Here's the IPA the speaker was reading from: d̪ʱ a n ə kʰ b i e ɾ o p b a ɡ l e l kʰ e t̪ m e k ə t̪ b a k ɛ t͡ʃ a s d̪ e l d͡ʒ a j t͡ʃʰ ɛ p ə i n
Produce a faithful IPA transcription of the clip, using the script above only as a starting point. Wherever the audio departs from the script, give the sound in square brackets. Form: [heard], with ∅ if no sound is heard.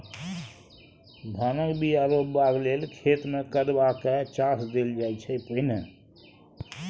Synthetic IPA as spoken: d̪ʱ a n ə [k] b i [a] ɾ o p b a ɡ l e l kʰ e t̪ m e k ə [d̪] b a k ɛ t͡ʃ a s d̪ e l d͡ʒ a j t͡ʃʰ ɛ p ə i n